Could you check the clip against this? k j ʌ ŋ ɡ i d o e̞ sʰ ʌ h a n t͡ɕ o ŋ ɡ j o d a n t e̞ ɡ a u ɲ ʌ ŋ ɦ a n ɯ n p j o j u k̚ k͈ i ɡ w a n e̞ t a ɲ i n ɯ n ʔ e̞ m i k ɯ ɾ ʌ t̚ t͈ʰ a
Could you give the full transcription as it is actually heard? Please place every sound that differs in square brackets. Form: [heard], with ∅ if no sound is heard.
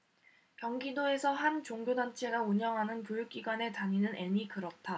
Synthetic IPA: k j ʌ ŋ ɡ i d o e̞ sʰ ʌ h a n t͡ɕ o ŋ ɡ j o d a n [t͡ɕʰ] e̞ ɡ a u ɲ ʌ ŋ ɦ a n ɯ n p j o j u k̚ k͈ i ɡ w a n e̞ t a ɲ i n ɯ n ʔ e̞ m i k ɯ ɾ ʌ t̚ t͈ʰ a